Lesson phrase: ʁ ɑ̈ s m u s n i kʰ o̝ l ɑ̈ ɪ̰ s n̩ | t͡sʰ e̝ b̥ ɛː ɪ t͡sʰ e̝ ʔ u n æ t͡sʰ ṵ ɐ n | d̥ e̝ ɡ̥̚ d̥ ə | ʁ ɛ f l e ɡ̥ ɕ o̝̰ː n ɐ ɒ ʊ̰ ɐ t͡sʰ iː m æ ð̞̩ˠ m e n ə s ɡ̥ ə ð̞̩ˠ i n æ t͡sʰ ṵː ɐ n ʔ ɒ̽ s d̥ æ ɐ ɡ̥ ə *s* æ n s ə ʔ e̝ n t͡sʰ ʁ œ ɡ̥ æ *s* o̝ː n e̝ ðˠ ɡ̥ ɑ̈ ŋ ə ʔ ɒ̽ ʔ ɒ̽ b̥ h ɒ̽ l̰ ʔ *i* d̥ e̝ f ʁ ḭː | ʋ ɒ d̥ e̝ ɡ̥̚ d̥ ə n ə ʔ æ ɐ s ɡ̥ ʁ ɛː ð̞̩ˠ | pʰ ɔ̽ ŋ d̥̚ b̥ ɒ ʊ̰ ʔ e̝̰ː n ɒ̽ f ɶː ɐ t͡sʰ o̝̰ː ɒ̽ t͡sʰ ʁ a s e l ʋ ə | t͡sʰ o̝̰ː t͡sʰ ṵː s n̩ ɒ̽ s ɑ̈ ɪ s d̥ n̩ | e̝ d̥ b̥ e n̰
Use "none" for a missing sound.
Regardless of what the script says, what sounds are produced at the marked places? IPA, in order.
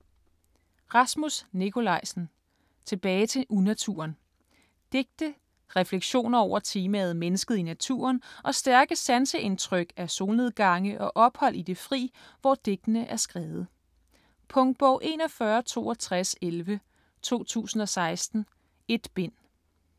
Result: s, s, i

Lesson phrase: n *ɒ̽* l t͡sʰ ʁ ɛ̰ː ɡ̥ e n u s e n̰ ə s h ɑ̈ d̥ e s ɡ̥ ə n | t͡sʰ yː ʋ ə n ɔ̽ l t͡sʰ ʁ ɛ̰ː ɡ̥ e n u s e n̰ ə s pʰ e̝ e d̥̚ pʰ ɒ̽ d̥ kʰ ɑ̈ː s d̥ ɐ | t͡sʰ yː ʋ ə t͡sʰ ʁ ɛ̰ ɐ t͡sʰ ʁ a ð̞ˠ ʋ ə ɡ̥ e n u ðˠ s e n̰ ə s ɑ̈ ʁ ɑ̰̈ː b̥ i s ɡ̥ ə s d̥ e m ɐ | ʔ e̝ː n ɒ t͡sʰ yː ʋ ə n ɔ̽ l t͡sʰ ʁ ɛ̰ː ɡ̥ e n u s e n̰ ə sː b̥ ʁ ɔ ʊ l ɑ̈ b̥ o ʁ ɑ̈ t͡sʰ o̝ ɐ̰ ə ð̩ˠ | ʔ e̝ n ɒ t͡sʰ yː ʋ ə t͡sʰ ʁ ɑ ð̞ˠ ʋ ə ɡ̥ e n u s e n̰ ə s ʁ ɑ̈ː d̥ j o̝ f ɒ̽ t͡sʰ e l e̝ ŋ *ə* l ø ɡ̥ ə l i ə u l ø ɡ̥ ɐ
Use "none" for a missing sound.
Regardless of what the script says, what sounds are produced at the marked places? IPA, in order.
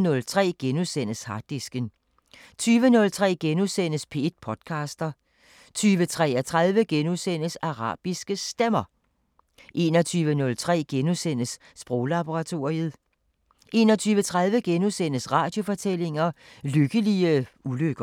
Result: ɔ̽, ɐ

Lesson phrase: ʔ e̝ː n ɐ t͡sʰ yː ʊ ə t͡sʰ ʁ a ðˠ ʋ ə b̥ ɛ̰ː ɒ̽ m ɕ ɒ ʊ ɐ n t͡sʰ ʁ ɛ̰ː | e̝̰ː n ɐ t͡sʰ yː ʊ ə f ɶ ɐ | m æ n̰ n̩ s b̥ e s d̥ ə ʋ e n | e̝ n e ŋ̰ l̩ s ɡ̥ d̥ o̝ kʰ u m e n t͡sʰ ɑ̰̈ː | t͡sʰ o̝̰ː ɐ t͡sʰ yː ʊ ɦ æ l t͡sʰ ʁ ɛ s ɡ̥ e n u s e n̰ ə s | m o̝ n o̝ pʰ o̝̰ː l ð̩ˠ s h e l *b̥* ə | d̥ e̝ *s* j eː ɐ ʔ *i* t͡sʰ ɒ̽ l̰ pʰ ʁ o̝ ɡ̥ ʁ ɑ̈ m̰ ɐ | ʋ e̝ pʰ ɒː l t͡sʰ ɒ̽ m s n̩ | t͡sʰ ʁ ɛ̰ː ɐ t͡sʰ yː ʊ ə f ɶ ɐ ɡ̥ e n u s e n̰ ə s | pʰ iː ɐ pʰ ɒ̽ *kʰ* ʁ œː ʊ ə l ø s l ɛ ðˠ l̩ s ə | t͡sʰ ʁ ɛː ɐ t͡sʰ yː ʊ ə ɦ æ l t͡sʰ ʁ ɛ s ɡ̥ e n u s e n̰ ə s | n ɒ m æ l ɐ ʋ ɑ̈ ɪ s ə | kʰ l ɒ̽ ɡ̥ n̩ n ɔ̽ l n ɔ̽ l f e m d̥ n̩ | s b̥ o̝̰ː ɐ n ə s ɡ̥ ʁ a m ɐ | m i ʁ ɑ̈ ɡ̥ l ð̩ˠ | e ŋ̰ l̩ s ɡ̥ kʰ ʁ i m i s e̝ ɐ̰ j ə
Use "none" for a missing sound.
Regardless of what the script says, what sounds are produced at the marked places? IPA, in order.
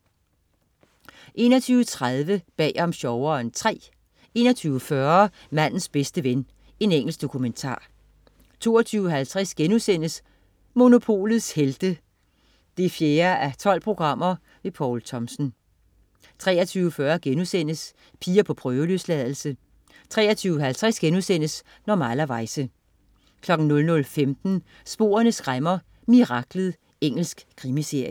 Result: d̥, f, æ, pʰ

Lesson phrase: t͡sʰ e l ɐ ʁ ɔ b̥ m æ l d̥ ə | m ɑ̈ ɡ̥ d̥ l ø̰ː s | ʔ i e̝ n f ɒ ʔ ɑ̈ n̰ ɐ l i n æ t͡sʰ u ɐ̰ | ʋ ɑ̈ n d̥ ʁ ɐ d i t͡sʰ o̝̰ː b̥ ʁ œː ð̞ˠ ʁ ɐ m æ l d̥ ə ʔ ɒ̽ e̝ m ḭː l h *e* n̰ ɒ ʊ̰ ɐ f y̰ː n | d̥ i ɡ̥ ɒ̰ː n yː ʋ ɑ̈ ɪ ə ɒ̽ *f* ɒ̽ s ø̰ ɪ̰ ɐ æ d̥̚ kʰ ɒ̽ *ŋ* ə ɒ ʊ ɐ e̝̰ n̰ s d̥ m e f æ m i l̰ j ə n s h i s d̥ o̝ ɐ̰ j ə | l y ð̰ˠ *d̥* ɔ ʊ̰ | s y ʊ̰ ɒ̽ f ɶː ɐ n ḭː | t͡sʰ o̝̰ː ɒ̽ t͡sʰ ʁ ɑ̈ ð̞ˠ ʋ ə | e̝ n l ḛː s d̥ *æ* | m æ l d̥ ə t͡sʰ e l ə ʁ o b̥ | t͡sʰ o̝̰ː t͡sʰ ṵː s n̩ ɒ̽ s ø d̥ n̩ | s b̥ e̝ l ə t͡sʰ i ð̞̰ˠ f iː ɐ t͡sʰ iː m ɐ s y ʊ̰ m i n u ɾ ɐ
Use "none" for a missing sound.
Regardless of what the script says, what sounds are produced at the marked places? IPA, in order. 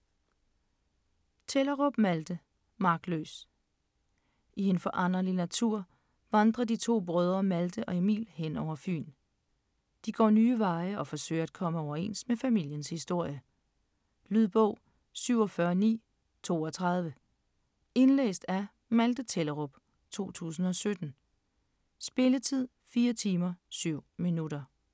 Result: e, f, m, b̥, æ

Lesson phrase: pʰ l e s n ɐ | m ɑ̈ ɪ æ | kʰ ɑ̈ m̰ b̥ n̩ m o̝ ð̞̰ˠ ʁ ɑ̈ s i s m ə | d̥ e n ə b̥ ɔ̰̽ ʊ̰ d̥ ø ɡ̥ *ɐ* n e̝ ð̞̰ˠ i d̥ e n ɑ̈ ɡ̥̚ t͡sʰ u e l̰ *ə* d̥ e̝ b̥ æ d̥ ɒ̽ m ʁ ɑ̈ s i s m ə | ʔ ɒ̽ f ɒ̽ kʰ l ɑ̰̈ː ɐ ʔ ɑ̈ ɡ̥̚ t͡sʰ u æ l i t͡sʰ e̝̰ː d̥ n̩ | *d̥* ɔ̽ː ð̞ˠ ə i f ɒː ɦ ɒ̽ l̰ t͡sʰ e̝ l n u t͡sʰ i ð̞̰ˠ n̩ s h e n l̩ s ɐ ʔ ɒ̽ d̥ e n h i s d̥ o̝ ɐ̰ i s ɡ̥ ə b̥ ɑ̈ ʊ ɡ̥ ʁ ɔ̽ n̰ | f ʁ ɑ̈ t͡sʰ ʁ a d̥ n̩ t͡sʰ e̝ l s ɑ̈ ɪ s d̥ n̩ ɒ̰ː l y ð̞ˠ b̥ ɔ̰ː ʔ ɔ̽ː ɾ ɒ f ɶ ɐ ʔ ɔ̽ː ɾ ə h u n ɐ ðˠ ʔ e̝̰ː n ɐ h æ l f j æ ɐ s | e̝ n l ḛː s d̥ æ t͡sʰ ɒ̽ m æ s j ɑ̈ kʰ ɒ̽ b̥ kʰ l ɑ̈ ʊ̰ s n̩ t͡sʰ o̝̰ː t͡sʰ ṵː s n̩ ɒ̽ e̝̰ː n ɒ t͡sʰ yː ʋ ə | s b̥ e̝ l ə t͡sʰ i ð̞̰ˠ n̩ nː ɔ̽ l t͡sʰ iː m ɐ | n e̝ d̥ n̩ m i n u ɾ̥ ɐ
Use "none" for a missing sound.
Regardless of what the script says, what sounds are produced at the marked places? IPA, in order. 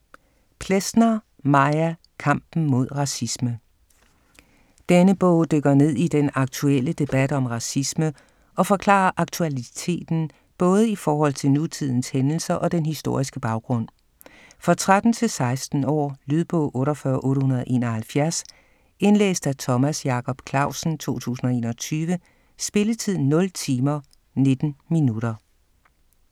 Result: ɐ, ə, b̥

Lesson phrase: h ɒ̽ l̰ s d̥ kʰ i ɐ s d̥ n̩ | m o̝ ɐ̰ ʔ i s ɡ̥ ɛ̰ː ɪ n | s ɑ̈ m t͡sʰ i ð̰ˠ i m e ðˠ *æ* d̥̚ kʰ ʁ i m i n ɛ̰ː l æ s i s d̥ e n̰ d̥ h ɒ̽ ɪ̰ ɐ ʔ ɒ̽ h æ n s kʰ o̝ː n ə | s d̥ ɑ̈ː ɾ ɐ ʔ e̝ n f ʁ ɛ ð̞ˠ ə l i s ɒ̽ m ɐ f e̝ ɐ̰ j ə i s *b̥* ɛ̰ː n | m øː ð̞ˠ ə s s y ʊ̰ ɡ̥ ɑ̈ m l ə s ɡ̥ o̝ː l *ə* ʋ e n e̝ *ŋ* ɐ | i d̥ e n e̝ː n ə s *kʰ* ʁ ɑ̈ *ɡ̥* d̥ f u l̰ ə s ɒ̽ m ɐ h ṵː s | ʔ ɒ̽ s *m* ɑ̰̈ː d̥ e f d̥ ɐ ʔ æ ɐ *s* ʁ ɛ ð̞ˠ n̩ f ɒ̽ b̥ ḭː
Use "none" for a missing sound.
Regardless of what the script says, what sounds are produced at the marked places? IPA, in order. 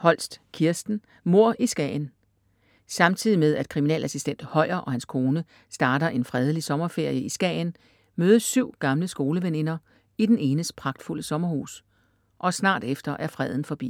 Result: æ, ɡ̥, ə, n, pʰ, ɡ̥, n, f

